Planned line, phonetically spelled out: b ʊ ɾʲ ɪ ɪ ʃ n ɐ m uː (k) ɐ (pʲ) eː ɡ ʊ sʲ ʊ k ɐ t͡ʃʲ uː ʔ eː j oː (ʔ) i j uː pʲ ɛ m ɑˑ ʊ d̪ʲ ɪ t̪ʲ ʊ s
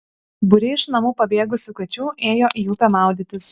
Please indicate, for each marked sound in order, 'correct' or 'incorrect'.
incorrect, incorrect, correct

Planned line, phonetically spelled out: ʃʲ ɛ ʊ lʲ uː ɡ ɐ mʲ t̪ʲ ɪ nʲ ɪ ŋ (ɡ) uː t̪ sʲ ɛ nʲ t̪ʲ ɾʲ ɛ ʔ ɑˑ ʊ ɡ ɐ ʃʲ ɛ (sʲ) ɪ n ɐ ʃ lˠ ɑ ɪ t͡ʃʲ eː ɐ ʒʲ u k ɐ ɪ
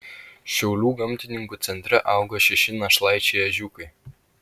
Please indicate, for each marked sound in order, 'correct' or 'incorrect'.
incorrect, incorrect

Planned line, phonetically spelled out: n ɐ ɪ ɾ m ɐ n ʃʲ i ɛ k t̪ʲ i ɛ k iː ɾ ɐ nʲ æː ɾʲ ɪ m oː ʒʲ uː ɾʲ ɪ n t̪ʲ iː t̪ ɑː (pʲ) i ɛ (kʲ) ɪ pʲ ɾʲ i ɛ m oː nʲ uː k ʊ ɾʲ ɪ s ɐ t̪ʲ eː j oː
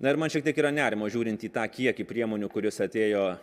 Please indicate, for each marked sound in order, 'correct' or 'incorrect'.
incorrect, correct

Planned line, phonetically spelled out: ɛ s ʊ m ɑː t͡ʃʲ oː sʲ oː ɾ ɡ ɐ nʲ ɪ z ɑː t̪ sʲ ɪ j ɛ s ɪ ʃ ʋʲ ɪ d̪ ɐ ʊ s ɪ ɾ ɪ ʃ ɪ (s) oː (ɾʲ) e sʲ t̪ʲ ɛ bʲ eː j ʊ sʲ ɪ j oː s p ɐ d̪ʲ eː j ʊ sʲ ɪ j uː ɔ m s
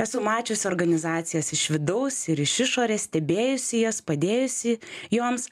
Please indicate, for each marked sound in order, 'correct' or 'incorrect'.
incorrect, correct

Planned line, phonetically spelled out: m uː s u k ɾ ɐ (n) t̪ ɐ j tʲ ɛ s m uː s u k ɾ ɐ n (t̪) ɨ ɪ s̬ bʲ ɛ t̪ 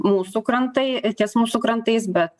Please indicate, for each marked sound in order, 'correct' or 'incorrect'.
correct, correct

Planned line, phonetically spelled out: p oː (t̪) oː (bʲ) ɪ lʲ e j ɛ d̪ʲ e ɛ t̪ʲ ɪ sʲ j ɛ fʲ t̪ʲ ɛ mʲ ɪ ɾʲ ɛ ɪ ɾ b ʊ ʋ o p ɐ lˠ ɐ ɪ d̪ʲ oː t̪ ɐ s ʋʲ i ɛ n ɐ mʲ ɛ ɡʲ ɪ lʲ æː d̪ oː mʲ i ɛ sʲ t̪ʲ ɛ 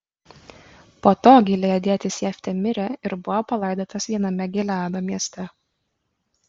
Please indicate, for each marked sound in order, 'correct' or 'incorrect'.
correct, incorrect

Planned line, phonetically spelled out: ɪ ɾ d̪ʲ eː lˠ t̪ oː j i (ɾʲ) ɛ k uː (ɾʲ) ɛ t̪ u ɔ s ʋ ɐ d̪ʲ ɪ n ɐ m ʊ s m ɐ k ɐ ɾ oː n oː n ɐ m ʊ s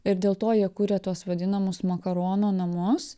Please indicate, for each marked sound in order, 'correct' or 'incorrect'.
incorrect, correct

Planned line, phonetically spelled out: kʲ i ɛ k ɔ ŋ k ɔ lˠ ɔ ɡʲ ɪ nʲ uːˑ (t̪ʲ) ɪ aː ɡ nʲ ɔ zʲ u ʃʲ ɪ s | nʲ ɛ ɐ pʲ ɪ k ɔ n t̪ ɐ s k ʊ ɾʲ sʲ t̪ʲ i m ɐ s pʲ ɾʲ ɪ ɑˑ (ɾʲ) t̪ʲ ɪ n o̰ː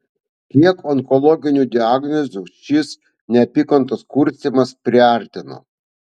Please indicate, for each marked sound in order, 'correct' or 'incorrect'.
incorrect, correct

